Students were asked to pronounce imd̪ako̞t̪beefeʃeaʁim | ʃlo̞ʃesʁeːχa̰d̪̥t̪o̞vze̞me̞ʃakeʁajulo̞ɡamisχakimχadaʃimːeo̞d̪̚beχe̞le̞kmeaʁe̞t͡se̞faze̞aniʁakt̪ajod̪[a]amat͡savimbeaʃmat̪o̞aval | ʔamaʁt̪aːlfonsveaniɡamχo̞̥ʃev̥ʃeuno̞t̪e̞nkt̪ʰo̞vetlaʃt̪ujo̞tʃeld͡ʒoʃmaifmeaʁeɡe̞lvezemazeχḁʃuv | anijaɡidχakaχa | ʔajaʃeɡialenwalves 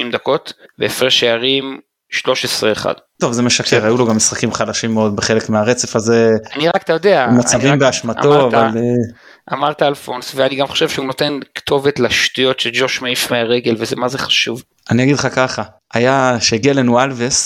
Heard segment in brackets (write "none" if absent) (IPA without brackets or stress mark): e